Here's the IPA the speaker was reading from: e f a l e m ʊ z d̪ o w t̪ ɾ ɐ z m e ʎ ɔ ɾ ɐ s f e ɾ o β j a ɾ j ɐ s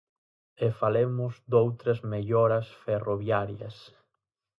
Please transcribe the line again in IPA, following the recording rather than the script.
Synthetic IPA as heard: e f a l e m ʊ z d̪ o w t̪ ɾ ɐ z m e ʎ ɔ ɾ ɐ s f e r o β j a ɾ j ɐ s